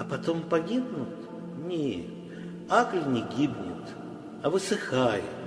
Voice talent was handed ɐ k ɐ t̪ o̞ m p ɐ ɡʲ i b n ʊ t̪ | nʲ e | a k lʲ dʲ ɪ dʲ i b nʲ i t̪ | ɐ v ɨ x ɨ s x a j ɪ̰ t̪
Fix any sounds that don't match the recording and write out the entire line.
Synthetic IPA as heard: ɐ p ɐ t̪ o̞ m p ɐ ɡʲ i b n ʊ t̪ | nʲ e | a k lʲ nʲ ɪ ɡʲ i b nʲ ɪ t̪ | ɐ v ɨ s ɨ x a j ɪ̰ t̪